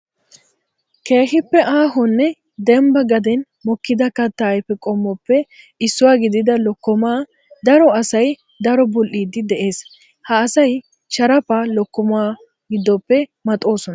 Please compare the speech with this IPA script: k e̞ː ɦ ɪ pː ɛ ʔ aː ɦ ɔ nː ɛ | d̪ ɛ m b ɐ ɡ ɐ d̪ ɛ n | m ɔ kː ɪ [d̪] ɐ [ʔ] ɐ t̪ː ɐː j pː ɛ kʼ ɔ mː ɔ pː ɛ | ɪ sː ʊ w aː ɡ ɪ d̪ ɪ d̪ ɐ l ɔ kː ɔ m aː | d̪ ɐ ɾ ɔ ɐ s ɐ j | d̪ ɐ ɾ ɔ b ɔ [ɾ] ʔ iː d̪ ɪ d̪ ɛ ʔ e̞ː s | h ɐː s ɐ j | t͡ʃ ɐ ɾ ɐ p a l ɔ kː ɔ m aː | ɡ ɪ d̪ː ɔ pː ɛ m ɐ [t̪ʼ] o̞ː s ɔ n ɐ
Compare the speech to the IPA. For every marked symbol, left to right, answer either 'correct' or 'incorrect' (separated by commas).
correct, incorrect, incorrect, correct